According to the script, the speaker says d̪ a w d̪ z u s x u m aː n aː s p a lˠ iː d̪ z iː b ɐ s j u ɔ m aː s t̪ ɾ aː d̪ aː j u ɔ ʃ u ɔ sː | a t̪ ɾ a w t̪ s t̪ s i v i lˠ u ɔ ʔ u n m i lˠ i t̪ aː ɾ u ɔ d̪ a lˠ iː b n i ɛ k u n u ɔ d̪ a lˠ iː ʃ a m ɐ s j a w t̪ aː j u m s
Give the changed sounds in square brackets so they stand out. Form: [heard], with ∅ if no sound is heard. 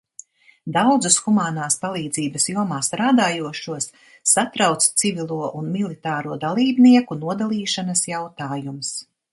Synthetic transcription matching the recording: d̪ a w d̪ z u s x u m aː n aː s p a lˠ iː d̪ z iː b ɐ s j u ɔ m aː s t̪ ɾ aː d̪ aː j u ɔ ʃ u ɔ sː | a t̪ ɾ a w t̪ s t̪ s i v i lˠ u ɔ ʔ u n m i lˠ i t̪ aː ɾ u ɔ d̪ a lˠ iː b n i ɛ k u n u ɔ d̪ a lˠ iː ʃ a [n] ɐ s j a w t̪ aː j u m s